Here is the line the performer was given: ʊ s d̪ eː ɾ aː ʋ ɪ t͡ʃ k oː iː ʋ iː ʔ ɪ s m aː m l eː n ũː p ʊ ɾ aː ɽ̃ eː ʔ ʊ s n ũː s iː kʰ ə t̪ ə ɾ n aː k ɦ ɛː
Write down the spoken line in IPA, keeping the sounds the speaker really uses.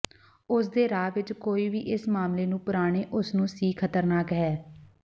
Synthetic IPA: ʊ s d̪ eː ɾ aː ʋ ɪ t͡ʃ k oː iː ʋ iː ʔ ɪ s m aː m l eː n ũː p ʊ ɾ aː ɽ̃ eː ʔ ʊ s n ũː s iː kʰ ə t̪ ə ɾ n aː k ɦ ɛː